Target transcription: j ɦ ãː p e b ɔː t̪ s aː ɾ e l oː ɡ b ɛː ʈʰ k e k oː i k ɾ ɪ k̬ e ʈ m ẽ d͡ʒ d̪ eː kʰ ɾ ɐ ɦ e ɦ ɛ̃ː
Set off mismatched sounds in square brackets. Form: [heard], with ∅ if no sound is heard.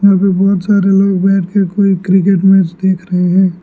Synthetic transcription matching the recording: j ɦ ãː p e b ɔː t̪ s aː ɾ e l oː ɡ b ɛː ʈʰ k e k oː i k ɾ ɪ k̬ e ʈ m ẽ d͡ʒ d̪ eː kʰ ɾ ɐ ɦ e ɦ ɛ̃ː

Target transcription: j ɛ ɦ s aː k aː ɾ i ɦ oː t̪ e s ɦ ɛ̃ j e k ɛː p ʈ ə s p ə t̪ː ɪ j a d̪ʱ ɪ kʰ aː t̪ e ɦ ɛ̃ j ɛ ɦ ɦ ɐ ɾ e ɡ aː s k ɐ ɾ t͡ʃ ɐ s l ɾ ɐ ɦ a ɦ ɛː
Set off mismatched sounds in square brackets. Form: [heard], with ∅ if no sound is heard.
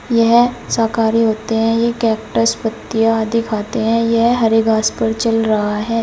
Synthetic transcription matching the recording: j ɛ ɦ s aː k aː ɾ i ɦ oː t̪ e [∅] ɦ ɛ̃ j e k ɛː p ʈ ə s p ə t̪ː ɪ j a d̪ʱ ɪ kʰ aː t̪ e ɦ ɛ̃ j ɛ ɦ ɦ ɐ ɾ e ɡ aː s [p] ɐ ɾ t͡ʃ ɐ [∅] l ɾ ɐ ɦ a ɦ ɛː

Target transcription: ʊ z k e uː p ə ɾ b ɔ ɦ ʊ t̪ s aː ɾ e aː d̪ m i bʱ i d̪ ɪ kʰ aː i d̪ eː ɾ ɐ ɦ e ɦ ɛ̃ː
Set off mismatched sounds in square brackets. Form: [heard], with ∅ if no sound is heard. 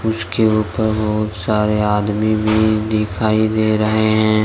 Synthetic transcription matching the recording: ʊ [s] k e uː p ə ɾ b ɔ ɦ ʊ t̪ s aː ɾ e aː d̪ m i bʱ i d̪ ɪ kʰ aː i d̪ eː ɾ ɐ ɦ e ɦ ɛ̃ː

